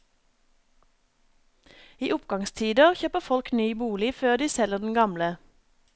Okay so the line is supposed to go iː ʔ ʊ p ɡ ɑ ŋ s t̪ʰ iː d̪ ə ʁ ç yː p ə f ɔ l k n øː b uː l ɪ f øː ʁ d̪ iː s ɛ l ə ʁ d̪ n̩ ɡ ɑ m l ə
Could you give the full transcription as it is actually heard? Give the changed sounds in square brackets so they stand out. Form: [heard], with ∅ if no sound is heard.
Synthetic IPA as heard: iː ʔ ʊ p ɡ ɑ ŋ s t̪ʰ iː d̪ ə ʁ ç [øː] p ə f ɔ l k n [yː] b uː l ɪ f øː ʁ d̪ iː s ɛ l ə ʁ d̪ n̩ ɡ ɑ m l ə

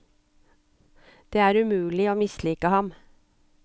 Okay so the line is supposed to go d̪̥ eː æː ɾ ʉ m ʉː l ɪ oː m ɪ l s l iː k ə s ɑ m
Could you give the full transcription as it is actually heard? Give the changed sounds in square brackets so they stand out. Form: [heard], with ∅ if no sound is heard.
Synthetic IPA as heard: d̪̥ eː æː ɾ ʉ m ʉː l ɪ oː m ɪ [∅] s l iː k ə [h] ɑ m

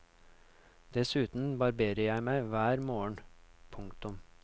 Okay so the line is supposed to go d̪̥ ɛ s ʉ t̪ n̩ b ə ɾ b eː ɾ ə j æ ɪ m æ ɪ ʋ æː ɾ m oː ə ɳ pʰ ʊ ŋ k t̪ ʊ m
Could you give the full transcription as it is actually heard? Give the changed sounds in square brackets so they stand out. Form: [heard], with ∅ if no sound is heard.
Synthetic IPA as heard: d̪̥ ɛ s [ʉː] t̪ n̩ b [ɑ] ɾ b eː ɾ ə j æ ɪ m æ ɪ ʋ æː ɾ m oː ə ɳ pʰ ʊ ŋ k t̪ ʊ m

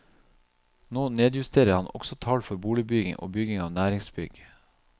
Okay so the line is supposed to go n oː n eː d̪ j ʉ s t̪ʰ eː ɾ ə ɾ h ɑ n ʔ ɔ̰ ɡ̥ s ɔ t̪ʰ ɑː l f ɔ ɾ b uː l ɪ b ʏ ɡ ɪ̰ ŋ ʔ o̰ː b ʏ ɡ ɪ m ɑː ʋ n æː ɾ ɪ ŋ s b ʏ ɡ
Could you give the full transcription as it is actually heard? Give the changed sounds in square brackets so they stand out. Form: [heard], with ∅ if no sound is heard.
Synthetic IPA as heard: n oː n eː d̪ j ʉ s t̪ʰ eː ɾ ə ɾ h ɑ n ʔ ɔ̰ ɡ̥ s ɔ t̪ʰ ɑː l f ɔ ɾ b uː l ɪ b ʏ ɡ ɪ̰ ŋ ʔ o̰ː b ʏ ɡ ɪ [ŋ] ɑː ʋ n æː ɾ ɪ ŋ s b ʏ ɡ

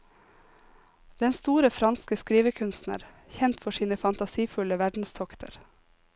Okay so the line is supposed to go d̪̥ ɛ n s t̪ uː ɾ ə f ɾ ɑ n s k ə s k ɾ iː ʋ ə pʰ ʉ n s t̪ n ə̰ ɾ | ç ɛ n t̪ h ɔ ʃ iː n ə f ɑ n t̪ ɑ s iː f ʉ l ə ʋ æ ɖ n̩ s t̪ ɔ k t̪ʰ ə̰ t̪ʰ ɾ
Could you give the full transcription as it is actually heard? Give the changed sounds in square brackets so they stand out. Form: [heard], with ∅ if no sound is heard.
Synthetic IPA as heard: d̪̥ ɛ n s t̪ uː ɾ ə f ɾ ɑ n s k ə s k ɾ iː ʋ ə [kʰ] ʉ n s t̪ n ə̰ ɾ | ç ɛ n t̪ [f] ɔ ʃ iː n ə f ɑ n t̪ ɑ s iː f ʉ l ə ʋ æ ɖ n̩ s [t̪ʰ] ɔ k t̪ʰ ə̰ [∅] ɾ

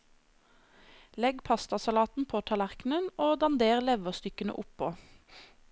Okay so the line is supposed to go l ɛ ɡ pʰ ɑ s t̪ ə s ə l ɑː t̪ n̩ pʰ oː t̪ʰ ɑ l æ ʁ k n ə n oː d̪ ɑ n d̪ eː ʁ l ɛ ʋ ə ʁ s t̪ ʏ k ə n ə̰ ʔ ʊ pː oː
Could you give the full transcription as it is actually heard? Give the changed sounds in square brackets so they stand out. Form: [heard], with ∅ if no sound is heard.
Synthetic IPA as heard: l ɛ ɡ pʰ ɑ s t̪ [ɑ] s [ɑ] l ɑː t̪ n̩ pʰ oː t̪ʰ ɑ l æ ʁ k n ə n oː d̪ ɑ n d̪ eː ʁ l ɛ ʋ ə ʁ s t̪ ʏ k ə n ə̰ ʔ ʊ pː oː

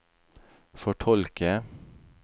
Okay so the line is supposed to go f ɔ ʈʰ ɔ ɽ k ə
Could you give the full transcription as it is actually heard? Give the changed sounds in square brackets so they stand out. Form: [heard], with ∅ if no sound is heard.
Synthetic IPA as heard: f ɔ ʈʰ ɔ [l] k ə

